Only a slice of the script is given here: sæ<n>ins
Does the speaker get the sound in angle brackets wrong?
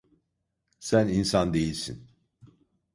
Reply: no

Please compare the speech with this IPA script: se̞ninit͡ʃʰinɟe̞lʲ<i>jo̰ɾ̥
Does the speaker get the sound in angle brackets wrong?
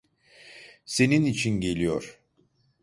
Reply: no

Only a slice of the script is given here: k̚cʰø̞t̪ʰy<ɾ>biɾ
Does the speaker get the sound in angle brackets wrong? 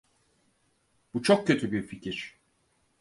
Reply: yes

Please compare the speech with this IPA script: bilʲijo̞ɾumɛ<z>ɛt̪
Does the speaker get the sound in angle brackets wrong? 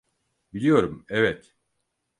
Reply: yes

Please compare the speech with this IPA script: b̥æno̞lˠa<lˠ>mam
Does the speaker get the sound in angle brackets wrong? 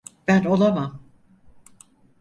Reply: yes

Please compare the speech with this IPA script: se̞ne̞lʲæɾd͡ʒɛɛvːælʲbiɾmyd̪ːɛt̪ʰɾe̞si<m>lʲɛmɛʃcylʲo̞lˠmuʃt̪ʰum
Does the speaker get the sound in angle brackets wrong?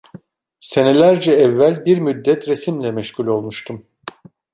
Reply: no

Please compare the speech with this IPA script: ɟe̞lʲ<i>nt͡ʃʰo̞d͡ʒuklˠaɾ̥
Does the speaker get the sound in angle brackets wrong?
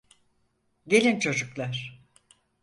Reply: no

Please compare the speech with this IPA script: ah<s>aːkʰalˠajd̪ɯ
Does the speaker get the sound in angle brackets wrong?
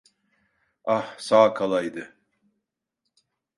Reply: no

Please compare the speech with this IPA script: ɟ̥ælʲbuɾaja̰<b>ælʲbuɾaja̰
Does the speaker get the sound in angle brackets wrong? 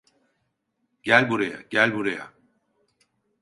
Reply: yes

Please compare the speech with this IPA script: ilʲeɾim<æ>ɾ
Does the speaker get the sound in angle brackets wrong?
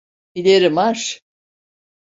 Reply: yes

